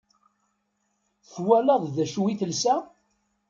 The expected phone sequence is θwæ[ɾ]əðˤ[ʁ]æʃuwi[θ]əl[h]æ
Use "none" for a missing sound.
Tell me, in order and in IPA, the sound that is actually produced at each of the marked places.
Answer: l, ð, θ, s

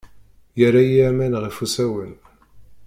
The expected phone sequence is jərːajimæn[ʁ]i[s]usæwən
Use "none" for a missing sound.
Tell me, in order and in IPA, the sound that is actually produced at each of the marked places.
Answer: ʁ, f

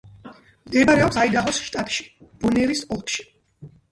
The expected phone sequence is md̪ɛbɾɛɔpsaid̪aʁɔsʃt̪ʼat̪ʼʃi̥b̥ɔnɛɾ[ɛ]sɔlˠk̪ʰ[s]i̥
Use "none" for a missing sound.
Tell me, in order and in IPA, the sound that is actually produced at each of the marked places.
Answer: i, ʃ

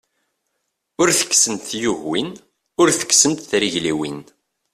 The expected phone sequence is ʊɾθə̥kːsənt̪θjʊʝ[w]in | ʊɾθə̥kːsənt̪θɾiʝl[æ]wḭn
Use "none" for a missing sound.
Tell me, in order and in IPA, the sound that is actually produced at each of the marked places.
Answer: w, i

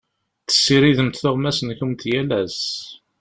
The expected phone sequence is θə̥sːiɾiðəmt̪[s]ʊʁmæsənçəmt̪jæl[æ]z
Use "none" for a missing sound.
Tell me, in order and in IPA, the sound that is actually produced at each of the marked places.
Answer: θ, æ

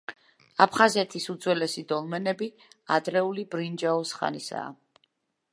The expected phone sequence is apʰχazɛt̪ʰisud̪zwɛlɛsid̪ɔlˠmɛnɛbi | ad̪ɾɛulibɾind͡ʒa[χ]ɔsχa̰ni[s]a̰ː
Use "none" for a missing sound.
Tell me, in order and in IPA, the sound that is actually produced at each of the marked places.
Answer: none, s

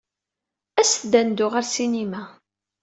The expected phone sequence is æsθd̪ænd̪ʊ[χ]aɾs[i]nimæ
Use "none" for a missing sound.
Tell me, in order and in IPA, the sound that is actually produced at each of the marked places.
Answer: ʁ, i

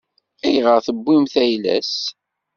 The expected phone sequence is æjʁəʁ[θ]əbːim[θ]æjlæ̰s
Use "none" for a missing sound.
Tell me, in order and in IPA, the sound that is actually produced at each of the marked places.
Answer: θ, θ

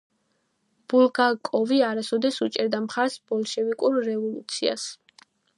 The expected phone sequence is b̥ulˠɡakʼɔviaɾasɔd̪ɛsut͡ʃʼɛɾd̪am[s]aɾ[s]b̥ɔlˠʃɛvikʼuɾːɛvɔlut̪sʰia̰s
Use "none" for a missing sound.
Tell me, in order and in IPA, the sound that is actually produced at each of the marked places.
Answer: χ, s

